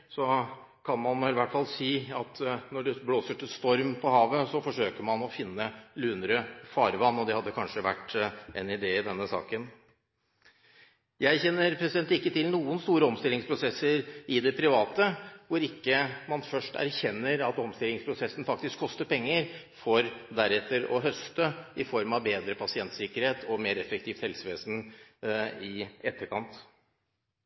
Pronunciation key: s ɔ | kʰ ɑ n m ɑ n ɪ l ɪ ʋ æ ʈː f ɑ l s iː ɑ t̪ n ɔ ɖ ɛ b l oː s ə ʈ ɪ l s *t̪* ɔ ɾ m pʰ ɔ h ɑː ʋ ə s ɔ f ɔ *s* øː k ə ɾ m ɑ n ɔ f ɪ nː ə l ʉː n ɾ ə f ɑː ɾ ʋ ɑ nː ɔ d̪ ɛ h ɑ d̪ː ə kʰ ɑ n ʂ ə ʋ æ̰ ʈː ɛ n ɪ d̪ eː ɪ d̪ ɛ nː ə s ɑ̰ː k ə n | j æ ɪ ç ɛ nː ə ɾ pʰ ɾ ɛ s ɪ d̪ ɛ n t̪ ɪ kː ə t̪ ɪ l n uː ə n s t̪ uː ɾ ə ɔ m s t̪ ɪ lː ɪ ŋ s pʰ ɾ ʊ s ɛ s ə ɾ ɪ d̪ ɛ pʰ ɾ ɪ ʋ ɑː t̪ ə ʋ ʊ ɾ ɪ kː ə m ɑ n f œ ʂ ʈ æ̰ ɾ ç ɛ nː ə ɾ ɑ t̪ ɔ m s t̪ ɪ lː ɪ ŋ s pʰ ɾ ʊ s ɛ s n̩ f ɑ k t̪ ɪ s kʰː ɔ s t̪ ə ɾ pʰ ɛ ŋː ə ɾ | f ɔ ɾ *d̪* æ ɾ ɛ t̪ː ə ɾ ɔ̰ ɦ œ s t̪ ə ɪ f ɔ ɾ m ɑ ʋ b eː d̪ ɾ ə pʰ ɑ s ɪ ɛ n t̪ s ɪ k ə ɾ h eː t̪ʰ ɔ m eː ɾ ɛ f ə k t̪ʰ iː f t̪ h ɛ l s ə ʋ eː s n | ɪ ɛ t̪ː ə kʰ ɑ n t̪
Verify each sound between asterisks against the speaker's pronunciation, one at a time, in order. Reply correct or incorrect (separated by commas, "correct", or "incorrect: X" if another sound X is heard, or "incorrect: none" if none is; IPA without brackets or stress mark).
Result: correct, incorrect: ʂ, correct